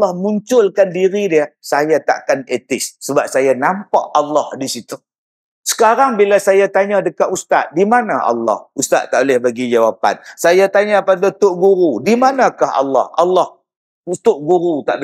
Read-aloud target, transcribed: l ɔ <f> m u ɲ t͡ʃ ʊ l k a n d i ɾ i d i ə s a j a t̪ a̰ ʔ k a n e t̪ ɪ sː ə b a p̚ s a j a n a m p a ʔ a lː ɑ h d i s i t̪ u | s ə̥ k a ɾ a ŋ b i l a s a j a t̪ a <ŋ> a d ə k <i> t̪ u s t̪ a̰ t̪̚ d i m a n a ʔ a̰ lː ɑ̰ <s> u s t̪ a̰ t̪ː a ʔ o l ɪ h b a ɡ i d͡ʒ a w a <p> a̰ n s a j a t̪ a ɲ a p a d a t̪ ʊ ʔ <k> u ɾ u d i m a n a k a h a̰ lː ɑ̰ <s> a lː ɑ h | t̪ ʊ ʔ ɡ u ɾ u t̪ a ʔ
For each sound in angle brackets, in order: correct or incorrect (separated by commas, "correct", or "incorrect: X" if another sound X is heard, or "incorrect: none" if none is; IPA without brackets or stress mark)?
incorrect: h, incorrect: ɲ, incorrect: a, incorrect: h, correct, incorrect: ɡ, incorrect: h